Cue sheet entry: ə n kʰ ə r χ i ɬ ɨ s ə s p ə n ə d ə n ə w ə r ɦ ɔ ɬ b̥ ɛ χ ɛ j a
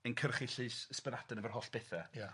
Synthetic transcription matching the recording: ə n kʰ ə r χ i ɬ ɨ s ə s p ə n a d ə n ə v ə r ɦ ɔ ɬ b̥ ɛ θ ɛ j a